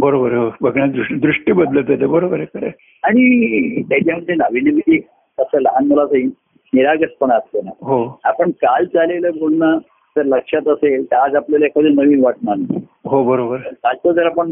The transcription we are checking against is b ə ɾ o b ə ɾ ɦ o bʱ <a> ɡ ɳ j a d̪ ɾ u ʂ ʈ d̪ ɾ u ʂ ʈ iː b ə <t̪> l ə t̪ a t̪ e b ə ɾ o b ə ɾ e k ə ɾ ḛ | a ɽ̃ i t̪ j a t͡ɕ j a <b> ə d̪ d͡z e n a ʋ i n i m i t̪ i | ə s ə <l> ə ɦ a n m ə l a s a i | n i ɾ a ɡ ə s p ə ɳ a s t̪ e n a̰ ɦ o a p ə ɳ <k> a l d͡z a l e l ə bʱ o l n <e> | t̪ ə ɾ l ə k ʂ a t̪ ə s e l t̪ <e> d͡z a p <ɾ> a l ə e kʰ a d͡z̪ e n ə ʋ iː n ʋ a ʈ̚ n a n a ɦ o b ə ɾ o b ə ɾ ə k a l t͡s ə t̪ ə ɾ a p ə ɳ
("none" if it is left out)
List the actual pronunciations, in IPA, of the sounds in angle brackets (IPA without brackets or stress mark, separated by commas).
ə, d̪, m, l, k, a, a, l